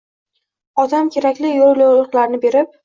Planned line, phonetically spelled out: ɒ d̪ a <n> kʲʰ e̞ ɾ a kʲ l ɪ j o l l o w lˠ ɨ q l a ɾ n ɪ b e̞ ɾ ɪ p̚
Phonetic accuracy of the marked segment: incorrect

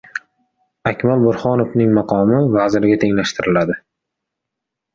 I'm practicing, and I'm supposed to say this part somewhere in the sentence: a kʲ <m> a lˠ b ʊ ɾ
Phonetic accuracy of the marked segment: correct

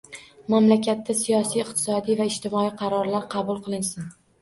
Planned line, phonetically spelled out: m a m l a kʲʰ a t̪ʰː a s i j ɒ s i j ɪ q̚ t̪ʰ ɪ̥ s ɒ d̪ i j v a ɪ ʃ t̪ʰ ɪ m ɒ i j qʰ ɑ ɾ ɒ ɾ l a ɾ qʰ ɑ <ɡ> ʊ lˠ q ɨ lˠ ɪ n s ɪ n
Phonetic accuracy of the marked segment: incorrect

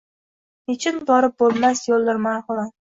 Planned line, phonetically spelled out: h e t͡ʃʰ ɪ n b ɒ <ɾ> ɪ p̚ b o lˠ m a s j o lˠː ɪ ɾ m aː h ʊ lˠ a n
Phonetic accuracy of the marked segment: correct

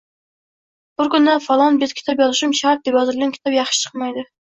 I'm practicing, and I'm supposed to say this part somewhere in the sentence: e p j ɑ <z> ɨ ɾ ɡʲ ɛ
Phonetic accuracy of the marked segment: correct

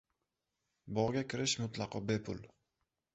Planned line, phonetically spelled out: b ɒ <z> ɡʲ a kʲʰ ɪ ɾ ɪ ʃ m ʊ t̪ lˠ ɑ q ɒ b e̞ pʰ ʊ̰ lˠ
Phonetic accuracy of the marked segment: incorrect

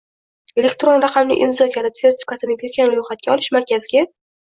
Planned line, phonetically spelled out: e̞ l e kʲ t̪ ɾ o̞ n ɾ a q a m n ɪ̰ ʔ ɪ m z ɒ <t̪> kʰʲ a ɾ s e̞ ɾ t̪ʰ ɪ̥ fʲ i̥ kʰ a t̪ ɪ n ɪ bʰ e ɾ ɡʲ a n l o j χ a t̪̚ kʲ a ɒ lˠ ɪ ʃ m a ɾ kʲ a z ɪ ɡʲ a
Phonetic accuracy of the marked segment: incorrect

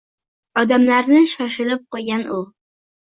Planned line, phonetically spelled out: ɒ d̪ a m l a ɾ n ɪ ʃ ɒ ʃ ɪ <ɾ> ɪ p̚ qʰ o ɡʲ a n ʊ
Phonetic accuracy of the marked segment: incorrect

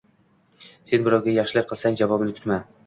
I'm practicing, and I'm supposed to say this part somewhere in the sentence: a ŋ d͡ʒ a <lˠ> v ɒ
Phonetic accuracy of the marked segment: incorrect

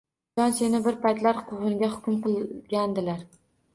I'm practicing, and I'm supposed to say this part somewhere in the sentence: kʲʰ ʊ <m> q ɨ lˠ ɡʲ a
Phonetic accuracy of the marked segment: correct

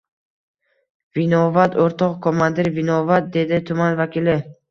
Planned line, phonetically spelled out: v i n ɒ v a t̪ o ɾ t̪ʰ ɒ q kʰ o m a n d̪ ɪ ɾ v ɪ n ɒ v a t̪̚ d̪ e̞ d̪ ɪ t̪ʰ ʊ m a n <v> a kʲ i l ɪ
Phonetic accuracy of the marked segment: correct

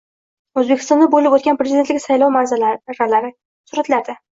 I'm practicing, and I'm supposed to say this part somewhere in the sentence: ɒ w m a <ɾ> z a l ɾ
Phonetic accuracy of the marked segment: correct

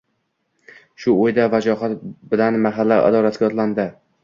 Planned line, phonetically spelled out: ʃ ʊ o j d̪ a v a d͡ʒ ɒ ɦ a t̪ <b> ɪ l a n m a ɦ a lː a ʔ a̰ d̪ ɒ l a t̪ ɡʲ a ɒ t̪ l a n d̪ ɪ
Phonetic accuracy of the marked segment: correct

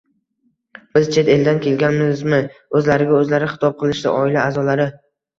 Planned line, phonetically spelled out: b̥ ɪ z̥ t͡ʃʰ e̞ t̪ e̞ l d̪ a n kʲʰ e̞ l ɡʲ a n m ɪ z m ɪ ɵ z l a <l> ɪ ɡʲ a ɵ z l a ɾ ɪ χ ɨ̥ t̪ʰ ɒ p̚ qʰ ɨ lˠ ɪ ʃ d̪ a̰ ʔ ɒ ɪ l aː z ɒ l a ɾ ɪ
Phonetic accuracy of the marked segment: incorrect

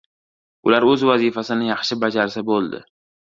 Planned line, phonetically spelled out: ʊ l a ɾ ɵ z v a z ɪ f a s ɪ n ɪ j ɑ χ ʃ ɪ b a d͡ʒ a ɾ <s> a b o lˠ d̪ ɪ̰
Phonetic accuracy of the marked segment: correct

